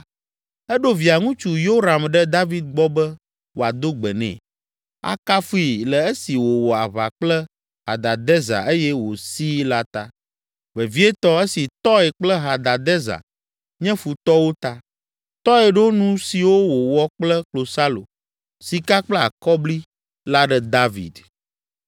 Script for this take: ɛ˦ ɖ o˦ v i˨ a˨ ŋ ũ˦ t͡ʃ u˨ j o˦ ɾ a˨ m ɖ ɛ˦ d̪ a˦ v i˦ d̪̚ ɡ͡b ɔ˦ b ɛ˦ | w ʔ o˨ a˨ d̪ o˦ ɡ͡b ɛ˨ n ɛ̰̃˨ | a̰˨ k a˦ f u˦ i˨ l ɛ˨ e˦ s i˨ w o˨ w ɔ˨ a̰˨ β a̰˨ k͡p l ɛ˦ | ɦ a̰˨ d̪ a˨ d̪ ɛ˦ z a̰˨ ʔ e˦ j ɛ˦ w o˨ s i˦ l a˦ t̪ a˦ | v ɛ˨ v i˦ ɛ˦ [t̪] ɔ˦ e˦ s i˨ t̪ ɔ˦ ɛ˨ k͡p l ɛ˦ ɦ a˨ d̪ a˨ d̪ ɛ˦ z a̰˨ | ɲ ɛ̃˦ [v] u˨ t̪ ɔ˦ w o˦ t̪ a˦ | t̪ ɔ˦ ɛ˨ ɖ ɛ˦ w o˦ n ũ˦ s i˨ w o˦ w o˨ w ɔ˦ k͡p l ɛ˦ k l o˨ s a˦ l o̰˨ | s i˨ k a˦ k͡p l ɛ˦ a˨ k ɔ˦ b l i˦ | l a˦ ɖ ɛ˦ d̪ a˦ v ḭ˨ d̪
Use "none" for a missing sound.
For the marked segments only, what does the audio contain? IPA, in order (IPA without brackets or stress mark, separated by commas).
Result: t̪, f